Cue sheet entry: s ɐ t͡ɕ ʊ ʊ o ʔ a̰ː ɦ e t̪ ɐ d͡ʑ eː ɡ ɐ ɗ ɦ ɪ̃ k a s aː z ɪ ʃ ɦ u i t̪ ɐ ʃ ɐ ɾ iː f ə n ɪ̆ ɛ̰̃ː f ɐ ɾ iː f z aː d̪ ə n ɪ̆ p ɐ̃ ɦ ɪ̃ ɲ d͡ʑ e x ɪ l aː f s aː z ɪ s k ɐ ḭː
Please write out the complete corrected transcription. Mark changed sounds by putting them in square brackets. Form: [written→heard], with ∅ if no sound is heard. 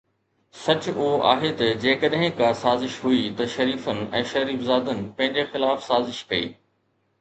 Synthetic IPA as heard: s ɐ t͡ɕ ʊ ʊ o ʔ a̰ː ɦ e t̪ ɐ d͡ʑ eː [ɡ→k] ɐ ɗ ɦ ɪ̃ k a s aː z ɪ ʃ ɦ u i t̪ ɐ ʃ ɐ ɾ iː f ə n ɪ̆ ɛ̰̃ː [f→ʃ] ɐ ɾ iː f z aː d̪ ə n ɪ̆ p ɐ̃ ɦ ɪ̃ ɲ d͡ʑ e x ɪ l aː f s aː z ɪ [s→ʃ] k ɐ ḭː